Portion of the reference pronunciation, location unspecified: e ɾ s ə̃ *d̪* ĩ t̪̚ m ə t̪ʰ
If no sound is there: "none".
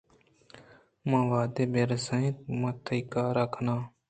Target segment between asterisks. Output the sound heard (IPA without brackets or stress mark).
none